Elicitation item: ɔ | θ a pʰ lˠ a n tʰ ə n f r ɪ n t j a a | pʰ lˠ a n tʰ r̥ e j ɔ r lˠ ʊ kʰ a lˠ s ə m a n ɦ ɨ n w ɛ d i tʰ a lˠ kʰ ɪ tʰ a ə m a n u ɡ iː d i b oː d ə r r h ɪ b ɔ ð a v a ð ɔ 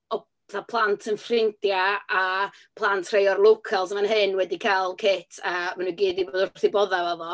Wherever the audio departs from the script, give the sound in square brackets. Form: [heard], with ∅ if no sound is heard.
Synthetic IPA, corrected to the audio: ɔ | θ a pʰ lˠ a n tʰ ə n f r ɪ n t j a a | pʰ lˠ a n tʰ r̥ e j ɔ r lˠ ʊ kʰ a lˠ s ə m a n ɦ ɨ n w ɛ d i [kʰ] a lˠ kʰ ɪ tʰ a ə m a n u ɡ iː d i b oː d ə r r [θ] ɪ b ɔ ð a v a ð ɔ

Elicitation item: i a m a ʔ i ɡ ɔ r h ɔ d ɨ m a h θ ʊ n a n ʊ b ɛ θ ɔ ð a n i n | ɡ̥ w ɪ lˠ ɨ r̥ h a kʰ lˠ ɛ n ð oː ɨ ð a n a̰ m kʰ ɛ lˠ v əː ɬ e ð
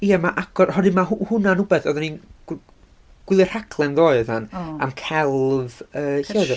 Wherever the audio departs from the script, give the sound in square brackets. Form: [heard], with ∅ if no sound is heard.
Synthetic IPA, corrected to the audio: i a m a ʔ [a] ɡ ɔ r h ɔ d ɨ m a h [h] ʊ n a n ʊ b ɛ θ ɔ ð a n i n | ɡ̥ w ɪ lˠ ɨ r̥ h a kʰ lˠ ɛ n ð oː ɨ ð a n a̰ m kʰ ɛ lˠ v əː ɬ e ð

